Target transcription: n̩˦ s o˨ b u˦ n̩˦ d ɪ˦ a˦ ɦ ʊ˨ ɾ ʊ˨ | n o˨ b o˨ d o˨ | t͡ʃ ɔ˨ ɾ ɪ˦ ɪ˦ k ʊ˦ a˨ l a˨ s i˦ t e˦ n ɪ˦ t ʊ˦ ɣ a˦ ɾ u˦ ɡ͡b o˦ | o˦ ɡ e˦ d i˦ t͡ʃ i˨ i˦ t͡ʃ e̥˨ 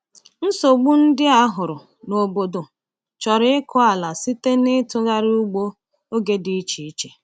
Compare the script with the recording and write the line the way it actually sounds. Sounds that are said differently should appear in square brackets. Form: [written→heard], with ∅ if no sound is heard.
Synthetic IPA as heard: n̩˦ s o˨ [b→ɡ͡b] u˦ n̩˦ d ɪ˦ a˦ ɦ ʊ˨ ɾ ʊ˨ | n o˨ b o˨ d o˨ | t͡ʃ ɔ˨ ɾ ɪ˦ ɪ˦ k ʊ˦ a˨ l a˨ s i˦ t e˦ n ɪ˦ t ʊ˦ ɣ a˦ ɾ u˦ ɡ͡b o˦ | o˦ ɡ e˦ d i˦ t͡ʃ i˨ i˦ t͡ʃ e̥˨